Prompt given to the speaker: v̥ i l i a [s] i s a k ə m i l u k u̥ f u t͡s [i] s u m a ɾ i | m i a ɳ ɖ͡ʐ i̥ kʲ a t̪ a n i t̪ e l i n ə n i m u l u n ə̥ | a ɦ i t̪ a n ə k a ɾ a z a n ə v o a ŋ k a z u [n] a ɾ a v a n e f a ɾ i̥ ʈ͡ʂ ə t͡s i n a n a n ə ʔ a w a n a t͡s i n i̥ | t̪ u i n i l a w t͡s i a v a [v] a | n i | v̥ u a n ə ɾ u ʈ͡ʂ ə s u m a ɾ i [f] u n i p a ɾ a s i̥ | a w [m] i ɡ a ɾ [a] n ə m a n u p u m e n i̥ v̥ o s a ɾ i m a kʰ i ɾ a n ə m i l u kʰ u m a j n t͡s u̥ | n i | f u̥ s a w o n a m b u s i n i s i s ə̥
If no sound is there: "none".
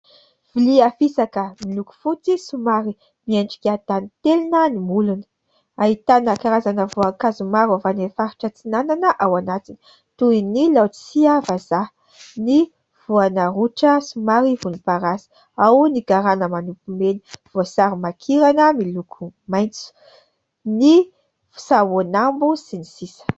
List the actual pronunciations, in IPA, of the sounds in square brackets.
f, i, m, z, v, n, a

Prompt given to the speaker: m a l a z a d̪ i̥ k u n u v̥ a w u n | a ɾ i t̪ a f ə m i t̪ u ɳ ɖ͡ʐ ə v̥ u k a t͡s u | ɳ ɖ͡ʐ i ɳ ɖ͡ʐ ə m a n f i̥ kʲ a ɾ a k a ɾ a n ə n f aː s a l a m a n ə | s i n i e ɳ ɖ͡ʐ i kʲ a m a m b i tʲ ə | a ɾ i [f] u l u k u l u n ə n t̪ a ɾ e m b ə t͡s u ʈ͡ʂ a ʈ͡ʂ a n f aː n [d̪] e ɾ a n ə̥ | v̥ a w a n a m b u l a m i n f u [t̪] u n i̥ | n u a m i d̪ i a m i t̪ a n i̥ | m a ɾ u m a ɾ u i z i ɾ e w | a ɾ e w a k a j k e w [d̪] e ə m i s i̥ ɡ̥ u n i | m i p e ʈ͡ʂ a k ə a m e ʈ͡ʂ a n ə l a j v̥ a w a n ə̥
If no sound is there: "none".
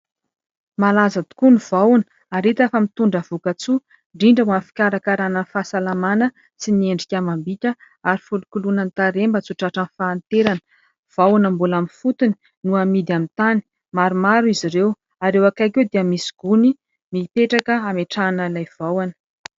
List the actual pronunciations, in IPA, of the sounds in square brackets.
f, t̪, t̪, d̪

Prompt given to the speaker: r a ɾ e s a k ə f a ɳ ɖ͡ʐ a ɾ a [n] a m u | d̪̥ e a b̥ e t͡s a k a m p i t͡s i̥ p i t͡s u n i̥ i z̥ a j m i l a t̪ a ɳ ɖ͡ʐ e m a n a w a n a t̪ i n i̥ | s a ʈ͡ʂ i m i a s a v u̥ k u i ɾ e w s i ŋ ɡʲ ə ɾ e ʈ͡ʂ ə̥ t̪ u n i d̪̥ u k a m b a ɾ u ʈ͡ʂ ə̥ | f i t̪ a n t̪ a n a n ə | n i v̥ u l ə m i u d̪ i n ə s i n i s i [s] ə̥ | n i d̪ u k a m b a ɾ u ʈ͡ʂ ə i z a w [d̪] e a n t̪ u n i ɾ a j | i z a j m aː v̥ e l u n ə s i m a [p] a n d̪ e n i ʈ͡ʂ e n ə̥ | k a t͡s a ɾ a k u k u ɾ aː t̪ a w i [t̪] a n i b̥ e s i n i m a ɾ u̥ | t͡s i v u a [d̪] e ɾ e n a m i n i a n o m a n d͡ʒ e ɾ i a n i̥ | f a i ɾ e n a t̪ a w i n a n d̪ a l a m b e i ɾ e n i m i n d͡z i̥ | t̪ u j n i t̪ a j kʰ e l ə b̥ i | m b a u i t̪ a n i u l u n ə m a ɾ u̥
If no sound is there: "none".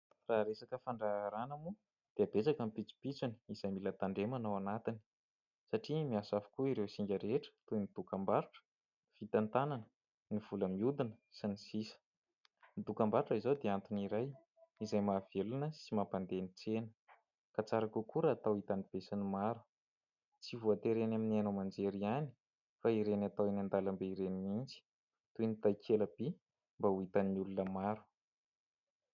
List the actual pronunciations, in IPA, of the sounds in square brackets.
n, s, d̪, p, t̪, t̪

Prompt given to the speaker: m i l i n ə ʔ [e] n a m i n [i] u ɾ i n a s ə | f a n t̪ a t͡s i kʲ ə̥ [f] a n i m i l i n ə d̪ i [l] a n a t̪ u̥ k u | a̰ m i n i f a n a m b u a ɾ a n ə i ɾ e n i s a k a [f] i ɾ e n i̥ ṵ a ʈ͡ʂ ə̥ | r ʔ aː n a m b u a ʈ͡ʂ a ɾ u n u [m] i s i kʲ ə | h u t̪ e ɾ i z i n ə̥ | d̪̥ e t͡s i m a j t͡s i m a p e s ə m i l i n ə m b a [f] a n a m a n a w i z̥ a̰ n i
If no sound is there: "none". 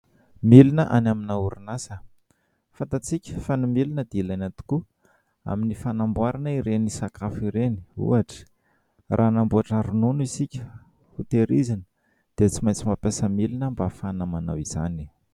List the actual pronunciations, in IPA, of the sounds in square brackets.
a, a, f, l, f, n, f

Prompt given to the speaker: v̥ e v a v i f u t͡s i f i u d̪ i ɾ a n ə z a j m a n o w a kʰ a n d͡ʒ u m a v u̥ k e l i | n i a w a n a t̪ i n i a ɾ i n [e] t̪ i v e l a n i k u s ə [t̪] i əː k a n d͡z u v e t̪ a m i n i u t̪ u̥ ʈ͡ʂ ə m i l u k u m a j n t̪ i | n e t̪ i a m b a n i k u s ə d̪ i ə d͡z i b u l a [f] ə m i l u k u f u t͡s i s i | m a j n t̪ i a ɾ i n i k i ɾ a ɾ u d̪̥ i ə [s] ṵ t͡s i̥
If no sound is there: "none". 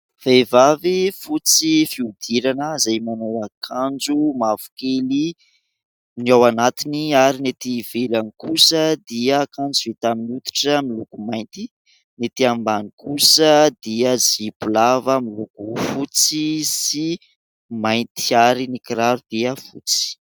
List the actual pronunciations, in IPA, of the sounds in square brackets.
e, d̪, v, f

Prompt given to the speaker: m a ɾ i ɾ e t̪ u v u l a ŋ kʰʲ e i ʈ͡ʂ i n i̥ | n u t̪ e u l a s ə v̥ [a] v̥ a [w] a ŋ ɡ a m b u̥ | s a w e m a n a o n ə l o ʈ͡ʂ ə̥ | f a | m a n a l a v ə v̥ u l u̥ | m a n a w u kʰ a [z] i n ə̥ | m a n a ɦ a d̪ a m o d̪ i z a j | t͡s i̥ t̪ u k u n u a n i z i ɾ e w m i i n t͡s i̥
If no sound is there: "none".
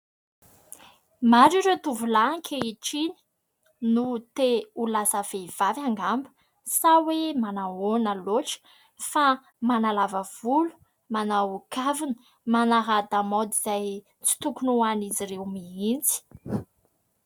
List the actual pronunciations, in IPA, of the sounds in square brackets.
e, v, v

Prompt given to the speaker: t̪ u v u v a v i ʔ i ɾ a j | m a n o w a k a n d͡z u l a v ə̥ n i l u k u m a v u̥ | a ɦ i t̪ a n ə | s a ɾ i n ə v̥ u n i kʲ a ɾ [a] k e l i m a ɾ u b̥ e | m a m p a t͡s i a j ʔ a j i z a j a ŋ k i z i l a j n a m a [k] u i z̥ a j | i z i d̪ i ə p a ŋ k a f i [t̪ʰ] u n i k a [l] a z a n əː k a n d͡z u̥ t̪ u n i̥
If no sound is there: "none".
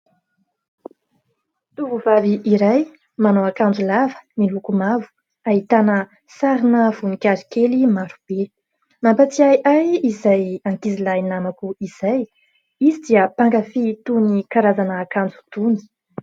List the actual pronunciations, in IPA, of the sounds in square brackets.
i, k, t̪, ɾ

